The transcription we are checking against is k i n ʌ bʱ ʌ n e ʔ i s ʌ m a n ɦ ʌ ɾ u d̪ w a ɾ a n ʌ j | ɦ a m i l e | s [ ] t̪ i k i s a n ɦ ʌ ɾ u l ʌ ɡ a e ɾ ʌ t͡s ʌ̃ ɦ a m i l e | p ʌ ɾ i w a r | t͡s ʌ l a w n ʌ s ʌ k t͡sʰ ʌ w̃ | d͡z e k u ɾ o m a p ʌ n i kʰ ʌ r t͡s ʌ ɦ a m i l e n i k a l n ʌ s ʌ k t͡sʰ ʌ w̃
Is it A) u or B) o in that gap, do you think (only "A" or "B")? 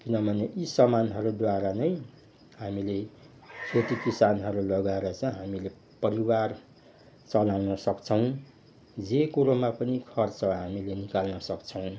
B